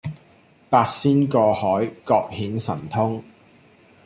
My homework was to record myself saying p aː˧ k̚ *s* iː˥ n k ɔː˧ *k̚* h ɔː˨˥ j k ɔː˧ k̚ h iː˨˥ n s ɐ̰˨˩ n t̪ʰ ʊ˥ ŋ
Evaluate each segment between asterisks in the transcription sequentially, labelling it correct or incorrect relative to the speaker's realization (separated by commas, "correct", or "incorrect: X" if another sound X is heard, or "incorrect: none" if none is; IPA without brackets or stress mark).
correct, incorrect: none